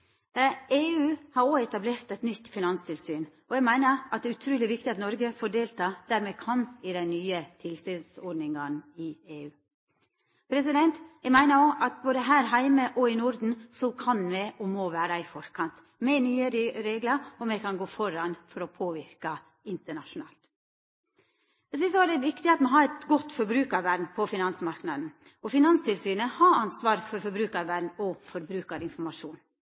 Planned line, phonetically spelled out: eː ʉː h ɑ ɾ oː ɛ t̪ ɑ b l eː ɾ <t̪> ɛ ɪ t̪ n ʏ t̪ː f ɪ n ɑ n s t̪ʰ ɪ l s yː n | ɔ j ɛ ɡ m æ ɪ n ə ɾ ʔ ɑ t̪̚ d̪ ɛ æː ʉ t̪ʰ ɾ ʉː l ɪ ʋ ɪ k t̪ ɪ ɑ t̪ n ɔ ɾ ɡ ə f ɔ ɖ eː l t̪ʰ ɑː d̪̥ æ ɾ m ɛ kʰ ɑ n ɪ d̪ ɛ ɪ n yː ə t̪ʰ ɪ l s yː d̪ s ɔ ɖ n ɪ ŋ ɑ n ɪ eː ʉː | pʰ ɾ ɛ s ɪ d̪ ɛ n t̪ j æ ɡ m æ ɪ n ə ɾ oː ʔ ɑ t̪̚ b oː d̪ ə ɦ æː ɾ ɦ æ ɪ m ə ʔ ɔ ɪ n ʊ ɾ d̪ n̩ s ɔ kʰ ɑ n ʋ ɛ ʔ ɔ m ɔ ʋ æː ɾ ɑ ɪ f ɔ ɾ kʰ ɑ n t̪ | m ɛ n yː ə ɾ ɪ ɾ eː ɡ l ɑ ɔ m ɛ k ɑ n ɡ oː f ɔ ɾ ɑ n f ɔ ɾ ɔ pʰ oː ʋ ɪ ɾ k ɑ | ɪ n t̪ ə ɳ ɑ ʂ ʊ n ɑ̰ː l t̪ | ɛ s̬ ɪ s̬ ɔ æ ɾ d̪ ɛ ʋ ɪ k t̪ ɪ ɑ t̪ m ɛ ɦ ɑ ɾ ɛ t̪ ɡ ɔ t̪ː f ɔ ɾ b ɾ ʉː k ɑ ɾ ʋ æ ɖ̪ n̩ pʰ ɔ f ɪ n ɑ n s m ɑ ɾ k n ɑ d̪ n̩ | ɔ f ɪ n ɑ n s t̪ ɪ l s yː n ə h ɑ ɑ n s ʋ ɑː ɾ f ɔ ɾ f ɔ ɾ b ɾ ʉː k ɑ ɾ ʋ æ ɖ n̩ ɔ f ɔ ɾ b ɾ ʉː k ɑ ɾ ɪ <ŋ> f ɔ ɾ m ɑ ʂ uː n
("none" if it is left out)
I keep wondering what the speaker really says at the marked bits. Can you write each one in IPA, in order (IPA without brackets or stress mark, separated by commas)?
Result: t̪, n